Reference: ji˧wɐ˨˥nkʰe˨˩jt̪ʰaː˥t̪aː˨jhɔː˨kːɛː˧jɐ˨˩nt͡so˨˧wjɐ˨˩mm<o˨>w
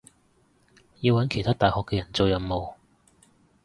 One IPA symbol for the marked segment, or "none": o˨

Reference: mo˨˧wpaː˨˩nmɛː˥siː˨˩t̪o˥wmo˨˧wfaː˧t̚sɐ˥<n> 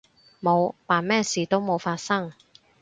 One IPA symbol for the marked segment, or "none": ŋ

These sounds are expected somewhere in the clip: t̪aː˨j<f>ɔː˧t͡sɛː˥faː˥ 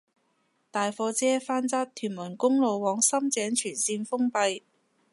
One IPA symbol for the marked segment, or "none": f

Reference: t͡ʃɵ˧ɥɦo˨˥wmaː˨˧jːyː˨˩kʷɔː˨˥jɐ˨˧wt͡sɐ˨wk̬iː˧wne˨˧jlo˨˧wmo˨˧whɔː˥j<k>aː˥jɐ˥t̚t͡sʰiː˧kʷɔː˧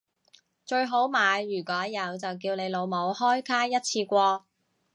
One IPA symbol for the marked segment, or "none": kʰ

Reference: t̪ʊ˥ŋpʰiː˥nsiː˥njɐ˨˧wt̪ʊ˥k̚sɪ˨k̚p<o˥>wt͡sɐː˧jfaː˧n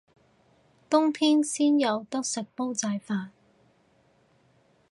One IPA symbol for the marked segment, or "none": o˥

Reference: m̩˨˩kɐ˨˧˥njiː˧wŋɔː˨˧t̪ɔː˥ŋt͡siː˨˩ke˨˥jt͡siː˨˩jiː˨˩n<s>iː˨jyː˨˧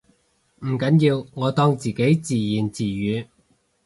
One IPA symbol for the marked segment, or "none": t͡s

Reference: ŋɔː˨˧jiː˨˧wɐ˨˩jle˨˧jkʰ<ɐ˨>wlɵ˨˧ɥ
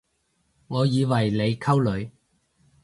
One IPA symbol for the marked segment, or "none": ɐ˥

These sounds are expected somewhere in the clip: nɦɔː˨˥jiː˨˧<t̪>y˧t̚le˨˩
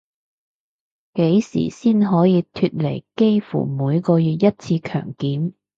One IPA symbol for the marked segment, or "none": t̪ʰ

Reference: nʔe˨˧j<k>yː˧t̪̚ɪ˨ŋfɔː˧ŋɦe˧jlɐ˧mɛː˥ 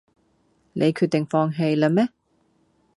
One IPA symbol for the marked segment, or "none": kʰ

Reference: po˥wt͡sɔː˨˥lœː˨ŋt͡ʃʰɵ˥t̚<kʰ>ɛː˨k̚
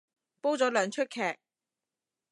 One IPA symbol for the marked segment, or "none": kʰ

